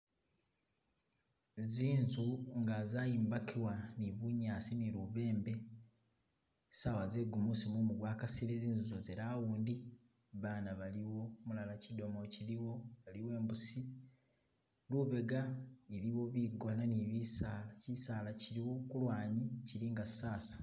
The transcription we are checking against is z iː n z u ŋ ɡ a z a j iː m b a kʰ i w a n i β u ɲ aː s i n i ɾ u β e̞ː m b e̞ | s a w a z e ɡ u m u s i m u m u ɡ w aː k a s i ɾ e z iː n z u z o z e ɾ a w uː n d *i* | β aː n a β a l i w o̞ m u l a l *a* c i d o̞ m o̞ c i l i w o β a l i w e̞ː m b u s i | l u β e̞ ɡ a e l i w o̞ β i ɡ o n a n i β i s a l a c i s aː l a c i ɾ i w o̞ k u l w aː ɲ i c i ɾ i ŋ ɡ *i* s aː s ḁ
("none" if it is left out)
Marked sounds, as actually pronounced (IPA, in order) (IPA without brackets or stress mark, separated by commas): i, a, a